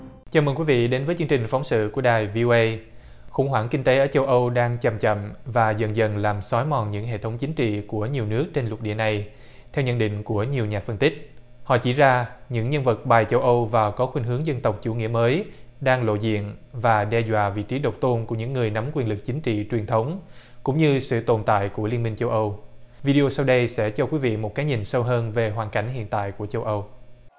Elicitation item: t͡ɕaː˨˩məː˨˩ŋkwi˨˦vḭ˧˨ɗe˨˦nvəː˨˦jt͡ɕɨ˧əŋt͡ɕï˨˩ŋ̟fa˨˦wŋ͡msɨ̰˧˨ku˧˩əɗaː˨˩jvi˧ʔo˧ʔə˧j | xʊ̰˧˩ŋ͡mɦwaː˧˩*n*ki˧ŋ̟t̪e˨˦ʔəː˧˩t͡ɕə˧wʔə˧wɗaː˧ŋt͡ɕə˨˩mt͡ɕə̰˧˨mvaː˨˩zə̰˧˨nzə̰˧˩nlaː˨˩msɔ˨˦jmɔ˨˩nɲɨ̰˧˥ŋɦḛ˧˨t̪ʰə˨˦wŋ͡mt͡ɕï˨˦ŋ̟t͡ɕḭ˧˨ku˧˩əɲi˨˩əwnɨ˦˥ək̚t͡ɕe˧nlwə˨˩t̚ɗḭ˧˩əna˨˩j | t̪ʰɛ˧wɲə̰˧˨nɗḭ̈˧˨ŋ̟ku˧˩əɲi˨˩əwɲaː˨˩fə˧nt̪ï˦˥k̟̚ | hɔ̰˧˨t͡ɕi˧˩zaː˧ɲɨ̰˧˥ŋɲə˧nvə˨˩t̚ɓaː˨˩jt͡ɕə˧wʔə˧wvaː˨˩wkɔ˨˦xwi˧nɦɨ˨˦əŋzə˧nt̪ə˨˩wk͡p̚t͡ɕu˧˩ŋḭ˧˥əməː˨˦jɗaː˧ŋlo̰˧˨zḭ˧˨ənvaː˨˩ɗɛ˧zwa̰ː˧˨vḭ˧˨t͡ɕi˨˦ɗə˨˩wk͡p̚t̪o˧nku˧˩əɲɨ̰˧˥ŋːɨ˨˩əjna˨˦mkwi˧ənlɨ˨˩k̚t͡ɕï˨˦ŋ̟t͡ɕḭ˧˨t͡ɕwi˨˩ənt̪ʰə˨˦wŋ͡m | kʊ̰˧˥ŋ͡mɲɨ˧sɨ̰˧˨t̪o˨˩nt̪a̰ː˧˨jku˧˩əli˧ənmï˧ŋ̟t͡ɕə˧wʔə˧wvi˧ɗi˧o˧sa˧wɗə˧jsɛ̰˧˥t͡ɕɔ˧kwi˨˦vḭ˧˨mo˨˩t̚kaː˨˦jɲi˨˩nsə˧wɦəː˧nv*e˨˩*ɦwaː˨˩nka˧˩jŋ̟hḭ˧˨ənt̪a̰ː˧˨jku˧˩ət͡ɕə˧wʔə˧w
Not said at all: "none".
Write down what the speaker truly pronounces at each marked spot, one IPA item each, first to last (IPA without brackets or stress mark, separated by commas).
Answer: ŋ, e˨˩